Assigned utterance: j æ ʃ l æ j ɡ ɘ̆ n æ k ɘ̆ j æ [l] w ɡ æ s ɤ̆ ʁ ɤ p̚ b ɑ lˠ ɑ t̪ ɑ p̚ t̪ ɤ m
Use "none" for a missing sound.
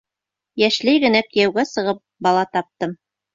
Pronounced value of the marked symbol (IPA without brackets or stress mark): none